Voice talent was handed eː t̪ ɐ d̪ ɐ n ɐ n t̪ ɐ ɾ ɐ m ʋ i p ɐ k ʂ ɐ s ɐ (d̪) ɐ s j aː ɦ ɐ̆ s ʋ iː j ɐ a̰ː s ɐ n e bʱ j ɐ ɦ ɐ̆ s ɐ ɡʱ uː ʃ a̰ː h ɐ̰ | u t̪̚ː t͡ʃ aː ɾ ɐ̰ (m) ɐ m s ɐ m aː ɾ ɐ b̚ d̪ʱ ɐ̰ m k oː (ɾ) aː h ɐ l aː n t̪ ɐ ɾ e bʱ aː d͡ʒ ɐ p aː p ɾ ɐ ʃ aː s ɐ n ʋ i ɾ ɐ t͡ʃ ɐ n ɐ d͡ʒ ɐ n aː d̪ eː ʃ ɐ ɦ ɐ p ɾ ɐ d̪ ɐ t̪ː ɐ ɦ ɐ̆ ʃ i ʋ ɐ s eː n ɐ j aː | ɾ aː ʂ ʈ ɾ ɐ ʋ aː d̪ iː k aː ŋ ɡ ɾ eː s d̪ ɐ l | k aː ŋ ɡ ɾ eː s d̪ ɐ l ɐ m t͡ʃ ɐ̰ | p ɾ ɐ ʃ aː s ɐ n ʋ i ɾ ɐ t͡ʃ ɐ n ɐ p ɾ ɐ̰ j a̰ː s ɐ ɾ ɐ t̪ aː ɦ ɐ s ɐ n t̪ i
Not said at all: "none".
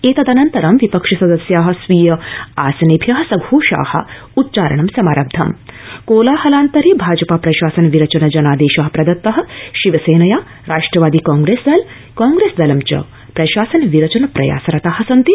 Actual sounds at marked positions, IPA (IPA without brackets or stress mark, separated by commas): d̪, ɳ, l